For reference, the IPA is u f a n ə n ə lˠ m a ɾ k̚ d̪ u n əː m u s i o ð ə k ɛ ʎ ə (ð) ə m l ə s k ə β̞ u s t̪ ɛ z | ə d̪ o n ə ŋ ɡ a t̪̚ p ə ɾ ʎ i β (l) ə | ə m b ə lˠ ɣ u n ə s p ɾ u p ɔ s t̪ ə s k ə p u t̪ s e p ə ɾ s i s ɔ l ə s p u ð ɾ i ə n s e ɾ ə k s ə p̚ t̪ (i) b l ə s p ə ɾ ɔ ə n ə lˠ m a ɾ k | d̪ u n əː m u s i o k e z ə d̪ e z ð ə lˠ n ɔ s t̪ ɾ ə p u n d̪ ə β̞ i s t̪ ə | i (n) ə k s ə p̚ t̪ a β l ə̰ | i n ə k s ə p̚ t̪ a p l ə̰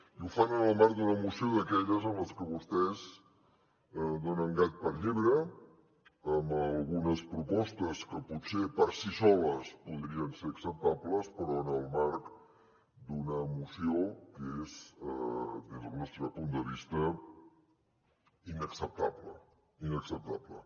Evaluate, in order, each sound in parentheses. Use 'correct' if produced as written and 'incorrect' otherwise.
incorrect, incorrect, incorrect, correct

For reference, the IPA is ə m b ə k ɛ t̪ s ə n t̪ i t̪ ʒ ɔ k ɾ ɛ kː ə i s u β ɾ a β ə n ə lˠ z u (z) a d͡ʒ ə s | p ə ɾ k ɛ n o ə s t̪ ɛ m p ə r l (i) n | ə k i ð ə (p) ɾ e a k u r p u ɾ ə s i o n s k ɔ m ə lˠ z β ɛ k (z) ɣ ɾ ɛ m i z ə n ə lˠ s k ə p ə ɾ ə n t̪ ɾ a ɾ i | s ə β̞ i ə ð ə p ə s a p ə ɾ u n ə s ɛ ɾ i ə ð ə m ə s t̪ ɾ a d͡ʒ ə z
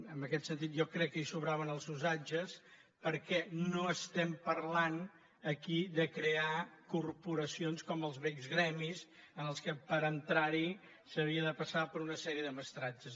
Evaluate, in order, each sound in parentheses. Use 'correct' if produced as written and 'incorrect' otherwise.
correct, incorrect, incorrect, correct

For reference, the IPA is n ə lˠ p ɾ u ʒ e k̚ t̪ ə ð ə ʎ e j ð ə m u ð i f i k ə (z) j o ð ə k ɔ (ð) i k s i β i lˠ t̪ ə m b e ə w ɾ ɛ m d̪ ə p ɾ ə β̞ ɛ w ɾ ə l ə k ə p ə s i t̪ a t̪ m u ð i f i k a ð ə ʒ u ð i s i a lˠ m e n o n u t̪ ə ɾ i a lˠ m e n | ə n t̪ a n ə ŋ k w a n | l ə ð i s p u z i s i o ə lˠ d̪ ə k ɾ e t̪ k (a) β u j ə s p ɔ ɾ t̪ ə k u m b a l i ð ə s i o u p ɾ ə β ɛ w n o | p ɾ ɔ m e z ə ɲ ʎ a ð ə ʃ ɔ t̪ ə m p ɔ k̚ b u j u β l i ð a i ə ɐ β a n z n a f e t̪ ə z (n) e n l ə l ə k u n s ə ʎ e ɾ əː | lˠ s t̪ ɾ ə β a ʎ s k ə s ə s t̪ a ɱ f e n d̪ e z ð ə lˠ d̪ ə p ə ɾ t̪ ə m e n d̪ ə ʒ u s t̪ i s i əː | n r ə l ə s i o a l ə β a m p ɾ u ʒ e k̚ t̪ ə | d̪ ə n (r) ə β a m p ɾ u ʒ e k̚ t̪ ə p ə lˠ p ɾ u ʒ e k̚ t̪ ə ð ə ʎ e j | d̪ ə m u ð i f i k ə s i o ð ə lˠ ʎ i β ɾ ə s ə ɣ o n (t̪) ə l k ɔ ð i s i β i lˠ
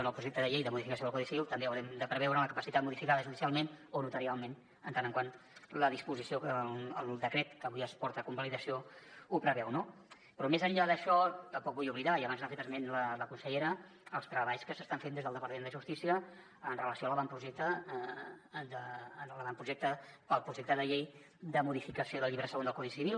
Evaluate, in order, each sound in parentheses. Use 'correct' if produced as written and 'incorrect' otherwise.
incorrect, correct, incorrect, incorrect, incorrect, incorrect

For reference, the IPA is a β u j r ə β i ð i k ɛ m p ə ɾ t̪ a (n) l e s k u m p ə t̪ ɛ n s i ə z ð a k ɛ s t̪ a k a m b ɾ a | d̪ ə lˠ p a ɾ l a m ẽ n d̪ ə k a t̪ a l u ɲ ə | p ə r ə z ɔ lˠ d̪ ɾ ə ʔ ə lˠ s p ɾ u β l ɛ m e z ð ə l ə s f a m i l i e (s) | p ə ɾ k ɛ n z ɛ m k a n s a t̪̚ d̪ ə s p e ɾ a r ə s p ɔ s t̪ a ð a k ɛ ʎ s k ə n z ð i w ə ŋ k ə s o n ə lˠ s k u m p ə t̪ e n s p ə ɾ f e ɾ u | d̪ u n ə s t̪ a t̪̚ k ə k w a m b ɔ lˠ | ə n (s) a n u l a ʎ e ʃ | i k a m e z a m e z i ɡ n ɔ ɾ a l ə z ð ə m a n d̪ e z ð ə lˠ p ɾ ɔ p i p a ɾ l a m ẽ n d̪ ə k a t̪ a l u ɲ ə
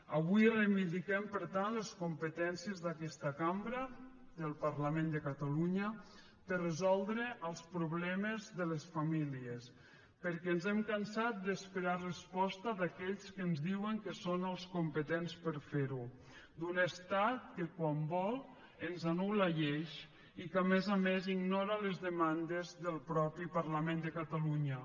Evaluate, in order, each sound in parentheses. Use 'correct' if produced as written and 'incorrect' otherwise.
correct, correct, incorrect

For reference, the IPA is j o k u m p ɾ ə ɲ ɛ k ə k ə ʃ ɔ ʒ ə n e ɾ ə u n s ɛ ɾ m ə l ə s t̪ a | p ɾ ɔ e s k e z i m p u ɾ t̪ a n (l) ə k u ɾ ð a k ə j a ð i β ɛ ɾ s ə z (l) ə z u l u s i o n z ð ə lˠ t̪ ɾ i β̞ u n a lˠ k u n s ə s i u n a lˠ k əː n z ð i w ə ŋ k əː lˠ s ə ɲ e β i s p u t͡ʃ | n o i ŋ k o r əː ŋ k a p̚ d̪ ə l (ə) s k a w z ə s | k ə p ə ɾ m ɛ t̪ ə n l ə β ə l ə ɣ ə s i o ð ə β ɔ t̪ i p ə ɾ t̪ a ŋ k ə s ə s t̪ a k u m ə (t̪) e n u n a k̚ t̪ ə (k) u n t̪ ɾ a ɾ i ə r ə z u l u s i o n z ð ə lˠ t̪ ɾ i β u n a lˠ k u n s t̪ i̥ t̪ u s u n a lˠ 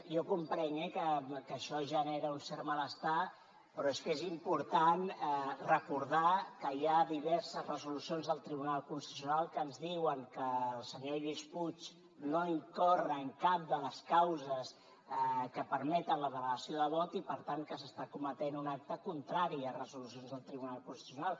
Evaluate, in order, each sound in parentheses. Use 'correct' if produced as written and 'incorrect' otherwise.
incorrect, incorrect, correct, correct, correct

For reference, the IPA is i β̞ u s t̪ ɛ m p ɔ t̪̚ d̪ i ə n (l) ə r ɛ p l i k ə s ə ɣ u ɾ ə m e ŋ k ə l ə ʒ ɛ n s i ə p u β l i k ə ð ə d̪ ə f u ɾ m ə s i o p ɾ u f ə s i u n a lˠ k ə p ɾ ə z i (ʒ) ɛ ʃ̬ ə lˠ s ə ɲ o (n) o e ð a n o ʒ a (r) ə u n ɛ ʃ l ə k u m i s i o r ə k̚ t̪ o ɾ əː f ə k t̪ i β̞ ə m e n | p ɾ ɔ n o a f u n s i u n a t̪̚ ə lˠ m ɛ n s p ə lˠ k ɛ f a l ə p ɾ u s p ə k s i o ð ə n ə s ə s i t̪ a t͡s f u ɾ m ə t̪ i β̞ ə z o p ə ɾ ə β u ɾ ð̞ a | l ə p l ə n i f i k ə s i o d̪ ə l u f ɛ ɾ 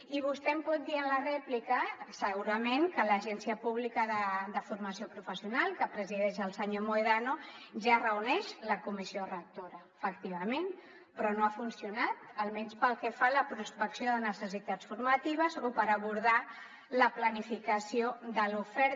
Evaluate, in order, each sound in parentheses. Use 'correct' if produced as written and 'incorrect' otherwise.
correct, incorrect, incorrect, correct

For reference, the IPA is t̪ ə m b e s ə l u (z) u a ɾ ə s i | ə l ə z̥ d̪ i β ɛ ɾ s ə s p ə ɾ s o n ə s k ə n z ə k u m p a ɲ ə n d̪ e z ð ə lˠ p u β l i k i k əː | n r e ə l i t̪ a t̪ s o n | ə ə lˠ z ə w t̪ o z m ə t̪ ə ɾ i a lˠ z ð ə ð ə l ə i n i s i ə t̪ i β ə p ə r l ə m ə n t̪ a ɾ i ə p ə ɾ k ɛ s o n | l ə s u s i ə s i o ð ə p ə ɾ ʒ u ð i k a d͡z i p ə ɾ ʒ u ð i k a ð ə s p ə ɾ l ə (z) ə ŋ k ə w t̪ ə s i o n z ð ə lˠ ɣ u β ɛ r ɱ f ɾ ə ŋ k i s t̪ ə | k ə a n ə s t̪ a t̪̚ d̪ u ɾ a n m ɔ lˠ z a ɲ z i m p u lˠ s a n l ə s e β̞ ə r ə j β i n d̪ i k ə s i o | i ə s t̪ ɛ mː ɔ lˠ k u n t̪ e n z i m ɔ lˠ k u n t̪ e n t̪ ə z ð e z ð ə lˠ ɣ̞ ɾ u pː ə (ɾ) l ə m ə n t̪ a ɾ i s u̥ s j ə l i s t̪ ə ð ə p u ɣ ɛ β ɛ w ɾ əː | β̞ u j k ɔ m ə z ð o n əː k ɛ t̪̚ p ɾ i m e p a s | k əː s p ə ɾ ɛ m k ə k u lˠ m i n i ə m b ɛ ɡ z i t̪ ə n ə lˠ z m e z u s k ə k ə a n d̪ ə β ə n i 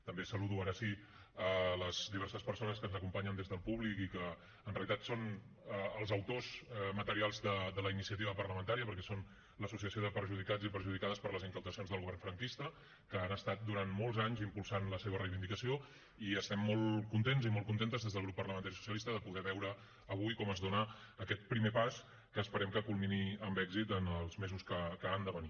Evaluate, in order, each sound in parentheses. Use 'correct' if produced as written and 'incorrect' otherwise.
incorrect, correct, incorrect

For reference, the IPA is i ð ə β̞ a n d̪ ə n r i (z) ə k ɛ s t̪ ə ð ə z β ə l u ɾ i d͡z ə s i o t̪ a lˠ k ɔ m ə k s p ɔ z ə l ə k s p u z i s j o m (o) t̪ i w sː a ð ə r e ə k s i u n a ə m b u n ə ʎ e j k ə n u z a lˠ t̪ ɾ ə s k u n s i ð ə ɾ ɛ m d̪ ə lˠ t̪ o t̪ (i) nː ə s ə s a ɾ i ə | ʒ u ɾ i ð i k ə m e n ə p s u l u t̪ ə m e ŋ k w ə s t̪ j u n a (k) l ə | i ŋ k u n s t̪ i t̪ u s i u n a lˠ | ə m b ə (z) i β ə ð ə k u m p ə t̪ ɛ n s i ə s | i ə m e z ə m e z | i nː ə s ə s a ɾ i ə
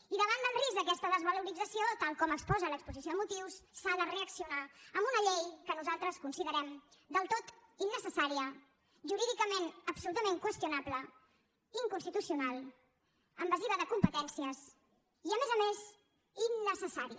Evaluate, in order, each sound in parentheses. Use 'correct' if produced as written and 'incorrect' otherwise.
correct, incorrect, correct, incorrect, correct

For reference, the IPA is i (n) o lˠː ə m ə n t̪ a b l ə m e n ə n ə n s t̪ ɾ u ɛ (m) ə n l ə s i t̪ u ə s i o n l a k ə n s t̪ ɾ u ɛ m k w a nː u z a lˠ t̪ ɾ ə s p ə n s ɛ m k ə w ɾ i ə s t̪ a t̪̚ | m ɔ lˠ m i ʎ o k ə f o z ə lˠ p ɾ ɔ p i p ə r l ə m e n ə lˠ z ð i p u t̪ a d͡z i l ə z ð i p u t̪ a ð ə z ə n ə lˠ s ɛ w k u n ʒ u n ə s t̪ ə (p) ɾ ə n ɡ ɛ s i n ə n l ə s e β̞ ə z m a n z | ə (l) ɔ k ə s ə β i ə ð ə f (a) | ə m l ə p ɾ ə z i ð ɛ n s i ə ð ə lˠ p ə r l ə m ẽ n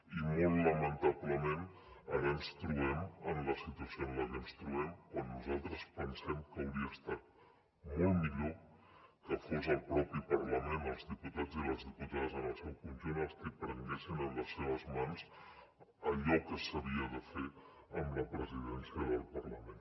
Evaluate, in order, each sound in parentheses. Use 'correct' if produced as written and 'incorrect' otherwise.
incorrect, correct, correct, incorrect, incorrect

